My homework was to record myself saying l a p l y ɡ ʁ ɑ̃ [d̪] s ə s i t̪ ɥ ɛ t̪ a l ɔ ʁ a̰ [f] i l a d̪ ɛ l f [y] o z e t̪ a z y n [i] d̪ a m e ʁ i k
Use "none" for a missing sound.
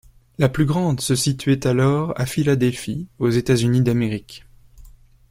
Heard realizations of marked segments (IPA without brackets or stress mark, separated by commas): d̪, f, i, i